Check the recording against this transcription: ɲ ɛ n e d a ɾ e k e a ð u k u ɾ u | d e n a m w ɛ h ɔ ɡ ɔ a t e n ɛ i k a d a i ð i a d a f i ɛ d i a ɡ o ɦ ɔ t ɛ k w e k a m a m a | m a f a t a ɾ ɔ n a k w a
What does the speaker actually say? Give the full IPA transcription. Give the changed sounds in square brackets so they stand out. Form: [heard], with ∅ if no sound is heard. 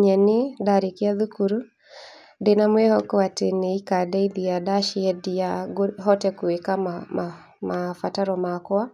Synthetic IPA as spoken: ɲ ɛ n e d a ɾ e k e a ð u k u ɾ u | d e n a m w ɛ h ɔ [k] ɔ a t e n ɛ i k a d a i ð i a d a [ʃ] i ɛ d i a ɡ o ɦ ɔ t ɛ k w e k a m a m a | m a f a t a ɾ ɔ [m] a k w a